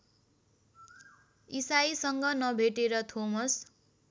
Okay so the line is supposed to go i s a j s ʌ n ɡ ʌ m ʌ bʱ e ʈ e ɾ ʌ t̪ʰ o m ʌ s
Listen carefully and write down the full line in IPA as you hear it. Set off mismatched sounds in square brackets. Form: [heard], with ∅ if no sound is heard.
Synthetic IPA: i s a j s ʌ [ŋ] ɡ ʌ [n] ʌ bʱ e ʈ e ɾ ʌ t̪ʰ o m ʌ s